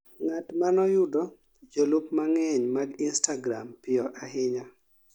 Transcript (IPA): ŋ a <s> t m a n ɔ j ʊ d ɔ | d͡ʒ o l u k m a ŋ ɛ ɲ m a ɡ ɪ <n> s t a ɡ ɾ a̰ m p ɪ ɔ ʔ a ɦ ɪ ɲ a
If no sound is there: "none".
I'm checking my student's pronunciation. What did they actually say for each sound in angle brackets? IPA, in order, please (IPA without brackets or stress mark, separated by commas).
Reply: none, n